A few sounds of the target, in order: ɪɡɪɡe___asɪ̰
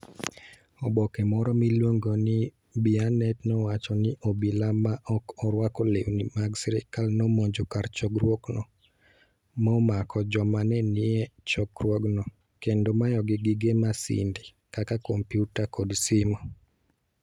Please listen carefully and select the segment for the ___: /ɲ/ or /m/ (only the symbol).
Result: m